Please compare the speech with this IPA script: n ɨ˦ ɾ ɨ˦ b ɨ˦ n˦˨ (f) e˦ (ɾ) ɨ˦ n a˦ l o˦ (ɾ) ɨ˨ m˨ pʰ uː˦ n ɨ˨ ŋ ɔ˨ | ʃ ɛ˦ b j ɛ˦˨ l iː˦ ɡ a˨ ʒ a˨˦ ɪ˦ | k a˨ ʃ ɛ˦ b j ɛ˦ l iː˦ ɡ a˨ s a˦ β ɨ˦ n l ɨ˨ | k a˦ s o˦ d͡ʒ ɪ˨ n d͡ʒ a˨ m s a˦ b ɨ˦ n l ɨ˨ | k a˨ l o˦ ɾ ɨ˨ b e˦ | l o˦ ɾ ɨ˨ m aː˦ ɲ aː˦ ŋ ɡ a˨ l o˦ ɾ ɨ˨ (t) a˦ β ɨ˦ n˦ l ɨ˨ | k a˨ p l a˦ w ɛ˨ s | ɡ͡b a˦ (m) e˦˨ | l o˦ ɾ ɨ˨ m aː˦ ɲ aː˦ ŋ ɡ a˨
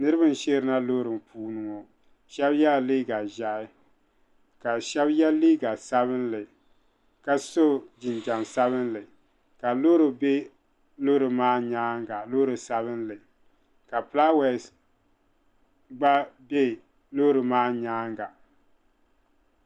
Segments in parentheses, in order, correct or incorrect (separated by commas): incorrect, correct, correct, incorrect, incorrect